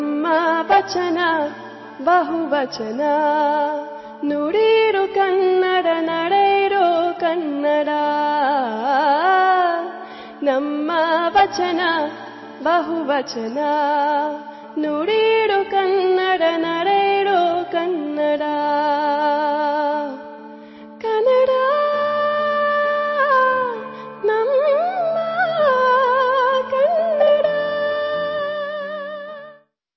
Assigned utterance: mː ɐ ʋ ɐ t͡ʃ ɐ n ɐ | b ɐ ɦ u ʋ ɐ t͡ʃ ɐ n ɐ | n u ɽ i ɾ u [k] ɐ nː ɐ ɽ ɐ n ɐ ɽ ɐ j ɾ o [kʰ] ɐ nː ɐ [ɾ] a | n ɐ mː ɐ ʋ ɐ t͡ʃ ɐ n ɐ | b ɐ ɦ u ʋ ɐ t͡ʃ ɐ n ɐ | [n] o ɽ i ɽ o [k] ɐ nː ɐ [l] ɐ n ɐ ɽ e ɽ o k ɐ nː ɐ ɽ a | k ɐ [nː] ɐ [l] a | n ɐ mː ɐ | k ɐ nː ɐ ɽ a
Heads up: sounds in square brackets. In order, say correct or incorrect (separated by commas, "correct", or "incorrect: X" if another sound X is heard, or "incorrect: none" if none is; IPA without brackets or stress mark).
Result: correct, incorrect: k, incorrect: ɽ, correct, correct, incorrect: ɽ, incorrect: n, incorrect: ɽ